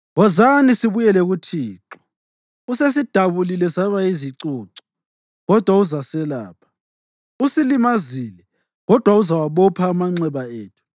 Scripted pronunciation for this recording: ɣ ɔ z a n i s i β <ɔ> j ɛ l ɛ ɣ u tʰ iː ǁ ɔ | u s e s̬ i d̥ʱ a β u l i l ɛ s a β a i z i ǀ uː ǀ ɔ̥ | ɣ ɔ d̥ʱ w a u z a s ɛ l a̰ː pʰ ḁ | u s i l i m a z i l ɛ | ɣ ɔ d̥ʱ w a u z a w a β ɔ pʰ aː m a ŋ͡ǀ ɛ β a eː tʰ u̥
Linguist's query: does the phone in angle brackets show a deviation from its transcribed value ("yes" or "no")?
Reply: yes